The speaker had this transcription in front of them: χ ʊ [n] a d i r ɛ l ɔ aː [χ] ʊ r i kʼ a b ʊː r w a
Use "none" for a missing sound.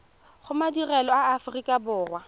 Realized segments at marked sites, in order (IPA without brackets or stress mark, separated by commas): m, f